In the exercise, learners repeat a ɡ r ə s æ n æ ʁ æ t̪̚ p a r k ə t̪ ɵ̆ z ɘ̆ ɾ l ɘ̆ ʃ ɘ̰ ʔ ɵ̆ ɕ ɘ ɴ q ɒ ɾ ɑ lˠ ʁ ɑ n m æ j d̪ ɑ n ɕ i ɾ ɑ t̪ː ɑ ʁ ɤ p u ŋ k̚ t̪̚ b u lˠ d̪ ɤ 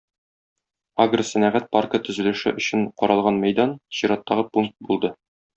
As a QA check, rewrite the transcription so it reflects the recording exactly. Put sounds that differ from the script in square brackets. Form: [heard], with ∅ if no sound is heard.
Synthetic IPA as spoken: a ɡ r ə s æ n æ ʁ æ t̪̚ p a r k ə t̪ ɵ̆ z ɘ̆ [∅] l ɘ̆ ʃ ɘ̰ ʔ ɵ̆ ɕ ɘ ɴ q ɒ ɾ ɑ lˠ ʁ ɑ n m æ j d̪ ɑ n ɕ i ɾ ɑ t̪ː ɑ ʁ ɤ p u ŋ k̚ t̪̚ b u lˠ d̪ ɤ